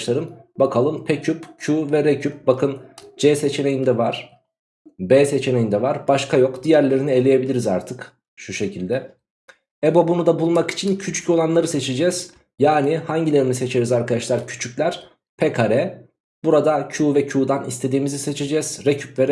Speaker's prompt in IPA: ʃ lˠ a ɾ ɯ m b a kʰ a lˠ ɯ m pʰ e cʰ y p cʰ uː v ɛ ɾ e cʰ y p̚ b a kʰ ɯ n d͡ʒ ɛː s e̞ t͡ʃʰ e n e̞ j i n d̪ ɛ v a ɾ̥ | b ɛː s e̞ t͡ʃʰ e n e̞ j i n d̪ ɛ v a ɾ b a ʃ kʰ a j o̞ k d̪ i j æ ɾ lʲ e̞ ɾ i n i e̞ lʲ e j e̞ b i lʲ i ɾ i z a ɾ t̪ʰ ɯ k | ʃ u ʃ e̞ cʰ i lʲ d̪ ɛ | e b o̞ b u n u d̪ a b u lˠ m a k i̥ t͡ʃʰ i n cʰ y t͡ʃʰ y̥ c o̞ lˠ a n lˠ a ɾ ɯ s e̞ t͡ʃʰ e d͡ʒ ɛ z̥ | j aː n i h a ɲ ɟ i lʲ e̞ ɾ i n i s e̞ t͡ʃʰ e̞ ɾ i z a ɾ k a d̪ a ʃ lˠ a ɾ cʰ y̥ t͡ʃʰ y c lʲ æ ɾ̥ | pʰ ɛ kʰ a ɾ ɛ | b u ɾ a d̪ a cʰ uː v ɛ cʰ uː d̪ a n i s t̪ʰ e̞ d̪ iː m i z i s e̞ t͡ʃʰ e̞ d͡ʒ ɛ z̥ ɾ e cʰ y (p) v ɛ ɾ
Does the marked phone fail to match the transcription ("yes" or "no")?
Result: no